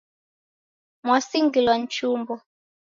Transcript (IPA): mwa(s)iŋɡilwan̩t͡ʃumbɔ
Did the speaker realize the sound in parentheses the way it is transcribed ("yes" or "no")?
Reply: yes